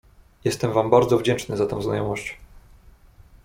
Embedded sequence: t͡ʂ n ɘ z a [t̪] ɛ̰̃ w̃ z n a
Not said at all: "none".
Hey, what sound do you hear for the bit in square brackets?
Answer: t̪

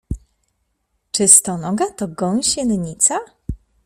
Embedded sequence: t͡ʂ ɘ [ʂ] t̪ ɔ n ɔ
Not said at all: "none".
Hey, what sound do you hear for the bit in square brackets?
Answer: s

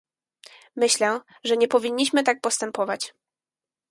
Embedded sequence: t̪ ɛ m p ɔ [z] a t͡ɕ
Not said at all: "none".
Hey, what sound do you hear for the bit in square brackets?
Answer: v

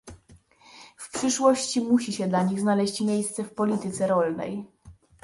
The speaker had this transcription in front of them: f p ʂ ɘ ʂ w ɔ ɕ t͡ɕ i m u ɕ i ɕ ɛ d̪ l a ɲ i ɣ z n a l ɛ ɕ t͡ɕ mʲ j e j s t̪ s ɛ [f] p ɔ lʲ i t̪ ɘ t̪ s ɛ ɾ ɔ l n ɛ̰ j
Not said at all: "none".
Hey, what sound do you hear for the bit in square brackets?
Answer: f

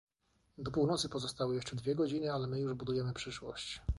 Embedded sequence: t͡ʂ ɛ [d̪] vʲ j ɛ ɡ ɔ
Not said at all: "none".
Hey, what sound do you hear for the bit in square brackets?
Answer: d̪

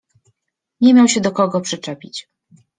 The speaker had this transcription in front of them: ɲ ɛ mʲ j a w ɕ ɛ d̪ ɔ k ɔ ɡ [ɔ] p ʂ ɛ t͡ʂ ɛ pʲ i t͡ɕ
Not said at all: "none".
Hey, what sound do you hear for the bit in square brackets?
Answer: ɔ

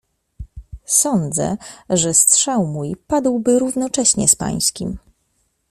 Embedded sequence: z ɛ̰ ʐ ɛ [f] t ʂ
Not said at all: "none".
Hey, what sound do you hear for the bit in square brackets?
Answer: s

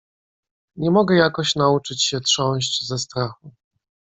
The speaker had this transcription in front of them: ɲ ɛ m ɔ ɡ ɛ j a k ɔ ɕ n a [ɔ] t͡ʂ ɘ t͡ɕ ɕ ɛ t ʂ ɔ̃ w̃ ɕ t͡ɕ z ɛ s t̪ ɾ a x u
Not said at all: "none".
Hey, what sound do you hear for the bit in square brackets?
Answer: u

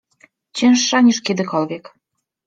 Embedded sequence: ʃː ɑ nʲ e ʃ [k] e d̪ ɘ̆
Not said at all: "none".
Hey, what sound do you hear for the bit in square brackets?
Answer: k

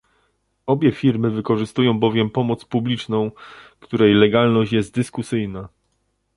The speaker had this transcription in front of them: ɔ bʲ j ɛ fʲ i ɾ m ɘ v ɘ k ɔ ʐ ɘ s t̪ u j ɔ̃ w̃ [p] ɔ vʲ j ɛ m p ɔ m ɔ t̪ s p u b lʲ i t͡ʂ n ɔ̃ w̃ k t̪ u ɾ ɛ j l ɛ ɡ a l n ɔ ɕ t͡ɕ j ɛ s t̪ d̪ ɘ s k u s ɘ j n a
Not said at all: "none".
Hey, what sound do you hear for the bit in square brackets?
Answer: b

